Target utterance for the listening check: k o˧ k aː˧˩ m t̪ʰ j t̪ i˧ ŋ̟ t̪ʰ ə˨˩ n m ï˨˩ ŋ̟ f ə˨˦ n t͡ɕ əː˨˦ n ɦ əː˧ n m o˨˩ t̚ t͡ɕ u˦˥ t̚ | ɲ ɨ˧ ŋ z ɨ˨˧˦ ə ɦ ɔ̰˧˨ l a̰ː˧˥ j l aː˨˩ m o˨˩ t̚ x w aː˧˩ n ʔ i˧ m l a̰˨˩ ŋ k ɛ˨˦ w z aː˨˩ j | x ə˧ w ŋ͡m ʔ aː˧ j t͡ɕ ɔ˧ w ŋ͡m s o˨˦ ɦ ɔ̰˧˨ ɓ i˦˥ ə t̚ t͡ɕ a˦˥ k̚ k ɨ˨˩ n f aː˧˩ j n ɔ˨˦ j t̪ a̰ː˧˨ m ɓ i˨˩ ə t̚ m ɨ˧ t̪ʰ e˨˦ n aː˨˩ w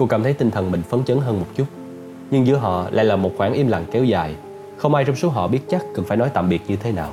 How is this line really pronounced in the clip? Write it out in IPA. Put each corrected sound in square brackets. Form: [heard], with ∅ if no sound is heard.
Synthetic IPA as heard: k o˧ k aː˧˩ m t̪ʰ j t̪ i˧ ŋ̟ t̪ʰ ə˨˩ n m ï˨˩ ŋ̟ f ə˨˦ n t͡ɕ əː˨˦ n ɦ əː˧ n m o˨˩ t̚ t͡ɕ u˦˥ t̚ | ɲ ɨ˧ ŋ z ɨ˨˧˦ ə ɦ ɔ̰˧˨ l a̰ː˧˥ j l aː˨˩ m o˨˩ t̚ x w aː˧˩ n ʔ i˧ m l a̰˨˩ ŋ k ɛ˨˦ w z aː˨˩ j | x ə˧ w ŋ͡m ʔ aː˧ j t͡ɕ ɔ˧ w ŋ͡m s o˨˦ ɦ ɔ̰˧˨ ɓ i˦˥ ə t̚ t͡ɕ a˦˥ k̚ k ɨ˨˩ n f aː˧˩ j n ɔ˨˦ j t̪ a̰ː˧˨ m ɓ i˨˩ ə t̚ [ɲ] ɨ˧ t̪ʰ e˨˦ n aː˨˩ w